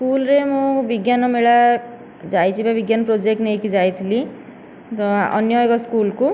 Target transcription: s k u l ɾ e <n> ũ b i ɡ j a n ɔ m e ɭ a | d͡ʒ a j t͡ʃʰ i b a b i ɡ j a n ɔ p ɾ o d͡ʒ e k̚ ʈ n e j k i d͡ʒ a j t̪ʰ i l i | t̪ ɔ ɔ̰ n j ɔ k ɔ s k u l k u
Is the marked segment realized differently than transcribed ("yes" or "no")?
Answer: yes